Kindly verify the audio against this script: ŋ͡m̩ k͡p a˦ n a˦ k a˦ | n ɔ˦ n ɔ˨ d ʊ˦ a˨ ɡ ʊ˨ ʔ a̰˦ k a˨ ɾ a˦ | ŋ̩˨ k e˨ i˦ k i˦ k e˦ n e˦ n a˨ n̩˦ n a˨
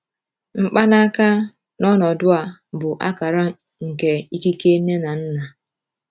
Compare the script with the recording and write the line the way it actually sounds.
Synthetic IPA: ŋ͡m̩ k͡p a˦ n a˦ k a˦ | n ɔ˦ n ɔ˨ d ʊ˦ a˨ b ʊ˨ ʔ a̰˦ k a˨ ɾ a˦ | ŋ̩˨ k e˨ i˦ k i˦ k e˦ n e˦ n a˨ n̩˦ n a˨